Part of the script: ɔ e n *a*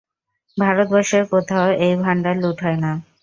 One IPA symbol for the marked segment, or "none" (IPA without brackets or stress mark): a